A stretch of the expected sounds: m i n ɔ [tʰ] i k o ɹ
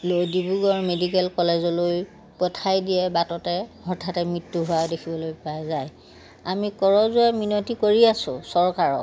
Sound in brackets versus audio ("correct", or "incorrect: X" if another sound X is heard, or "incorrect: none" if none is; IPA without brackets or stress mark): incorrect: t